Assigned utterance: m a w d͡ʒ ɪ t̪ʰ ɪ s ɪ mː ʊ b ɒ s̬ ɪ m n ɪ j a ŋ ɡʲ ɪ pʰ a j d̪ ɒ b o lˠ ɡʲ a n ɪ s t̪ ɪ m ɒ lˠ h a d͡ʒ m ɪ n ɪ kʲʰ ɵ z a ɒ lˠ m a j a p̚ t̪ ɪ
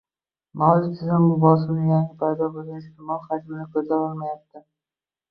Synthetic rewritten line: m a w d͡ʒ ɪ t̪ʰ ɪ z ɪ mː ʊ b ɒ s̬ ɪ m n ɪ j a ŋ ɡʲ ɪ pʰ a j d̪ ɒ b o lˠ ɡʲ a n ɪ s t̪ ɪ m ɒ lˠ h a d͡ʒ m ɪ n ɪ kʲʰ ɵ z a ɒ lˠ m a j a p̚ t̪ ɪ